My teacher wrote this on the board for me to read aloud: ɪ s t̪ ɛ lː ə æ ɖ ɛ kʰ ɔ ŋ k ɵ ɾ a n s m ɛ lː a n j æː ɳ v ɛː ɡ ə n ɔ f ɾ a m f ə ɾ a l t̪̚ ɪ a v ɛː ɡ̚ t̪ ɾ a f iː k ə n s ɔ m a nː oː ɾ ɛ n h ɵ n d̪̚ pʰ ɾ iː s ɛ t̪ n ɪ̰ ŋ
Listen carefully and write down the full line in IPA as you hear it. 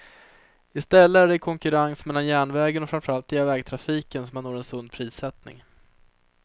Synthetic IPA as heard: ɪ s t̪ ɛ lː ə æ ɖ ɛ kʰ ɔ ŋ k ɵ ɾ a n s m ɛ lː a n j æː ɳ v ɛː ɡ ə n ɔ f ɾ a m f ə ɾ a l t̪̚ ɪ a v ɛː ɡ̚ t̪ʰ ɾ a f iː k ə n s ɔ m a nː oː ɾ ɛ n s ɵ n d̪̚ pʰ ɾ iː s ɛ t̪ n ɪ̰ ŋ